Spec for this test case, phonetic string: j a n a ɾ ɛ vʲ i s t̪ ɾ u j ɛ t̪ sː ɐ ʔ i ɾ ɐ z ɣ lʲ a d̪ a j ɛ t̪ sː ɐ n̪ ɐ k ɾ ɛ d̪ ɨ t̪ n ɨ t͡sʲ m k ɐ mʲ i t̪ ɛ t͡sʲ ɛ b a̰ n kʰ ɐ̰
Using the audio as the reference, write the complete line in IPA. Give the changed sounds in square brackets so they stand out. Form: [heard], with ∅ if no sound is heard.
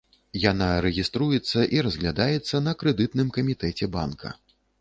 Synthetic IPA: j a n a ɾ ɛ [ɣʲ] i s t̪ ɾ u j ɛ t̪ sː ɐ ʔ i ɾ ɐ z ɣ lʲ a d̪ a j ɛ t̪ sː ɐ n̪ ɐ k ɾ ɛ d̪ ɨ t̪ n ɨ [∅] m k ɐ mʲ i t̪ ɛ t͡sʲ ɛ b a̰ n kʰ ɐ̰